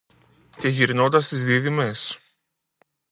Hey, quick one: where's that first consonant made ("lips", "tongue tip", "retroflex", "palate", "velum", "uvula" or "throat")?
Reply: palate